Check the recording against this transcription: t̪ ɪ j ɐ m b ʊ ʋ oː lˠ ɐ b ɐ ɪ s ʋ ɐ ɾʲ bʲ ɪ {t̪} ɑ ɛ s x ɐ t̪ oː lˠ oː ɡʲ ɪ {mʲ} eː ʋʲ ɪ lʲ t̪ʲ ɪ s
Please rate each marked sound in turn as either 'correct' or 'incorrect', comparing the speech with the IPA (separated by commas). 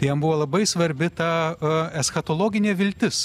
correct, incorrect